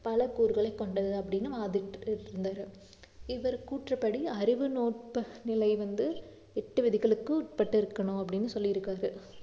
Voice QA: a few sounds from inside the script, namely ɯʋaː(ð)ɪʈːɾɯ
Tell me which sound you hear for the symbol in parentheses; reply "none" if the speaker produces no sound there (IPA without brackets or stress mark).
ð